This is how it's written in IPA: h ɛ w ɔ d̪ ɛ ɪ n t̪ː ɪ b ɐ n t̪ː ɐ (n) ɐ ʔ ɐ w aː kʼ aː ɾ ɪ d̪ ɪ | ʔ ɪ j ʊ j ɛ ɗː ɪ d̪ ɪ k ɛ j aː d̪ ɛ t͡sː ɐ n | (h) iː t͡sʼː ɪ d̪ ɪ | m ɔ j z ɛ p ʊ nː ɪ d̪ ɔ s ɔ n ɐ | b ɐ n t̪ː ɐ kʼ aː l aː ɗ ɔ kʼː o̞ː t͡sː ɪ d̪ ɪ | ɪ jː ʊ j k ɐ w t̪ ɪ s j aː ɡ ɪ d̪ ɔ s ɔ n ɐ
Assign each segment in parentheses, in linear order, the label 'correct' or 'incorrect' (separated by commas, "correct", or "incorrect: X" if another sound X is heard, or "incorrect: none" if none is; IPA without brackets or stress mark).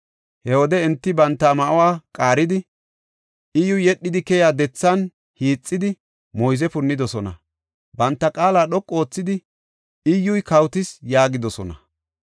incorrect: m, correct